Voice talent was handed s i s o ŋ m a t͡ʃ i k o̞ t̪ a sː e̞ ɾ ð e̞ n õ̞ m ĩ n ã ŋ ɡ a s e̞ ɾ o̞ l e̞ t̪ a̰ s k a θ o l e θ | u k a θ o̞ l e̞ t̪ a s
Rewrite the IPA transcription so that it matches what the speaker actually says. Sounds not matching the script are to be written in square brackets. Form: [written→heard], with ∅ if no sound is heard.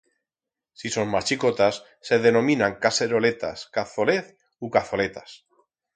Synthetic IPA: s i s o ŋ m a t͡ʃ i k o̞ t̪ a sː e̞ [ɾ→∅] ð e̞ n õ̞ m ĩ n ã ŋ [ɡ→k] a s e̞ ɾ o̞ l e̞ t̪ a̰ s k a θ o l e θ | u k a θ o̞ l e̞ t̪ a s